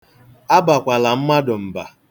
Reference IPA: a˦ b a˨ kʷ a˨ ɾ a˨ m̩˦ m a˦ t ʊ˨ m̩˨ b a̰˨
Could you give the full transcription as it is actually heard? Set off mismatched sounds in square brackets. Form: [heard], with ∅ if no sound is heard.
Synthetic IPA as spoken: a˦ b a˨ kʷ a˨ [l] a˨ m̩˦ m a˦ [d] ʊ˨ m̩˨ b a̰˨